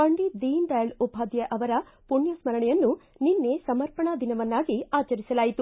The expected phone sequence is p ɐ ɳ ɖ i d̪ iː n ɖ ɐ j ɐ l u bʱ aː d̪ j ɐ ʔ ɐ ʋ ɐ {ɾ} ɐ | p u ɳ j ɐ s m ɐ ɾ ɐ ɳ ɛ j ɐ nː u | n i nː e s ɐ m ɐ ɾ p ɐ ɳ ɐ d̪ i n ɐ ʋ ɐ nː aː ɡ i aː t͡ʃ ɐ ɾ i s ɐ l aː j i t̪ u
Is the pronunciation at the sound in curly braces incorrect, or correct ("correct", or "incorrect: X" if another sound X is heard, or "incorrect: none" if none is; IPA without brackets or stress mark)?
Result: correct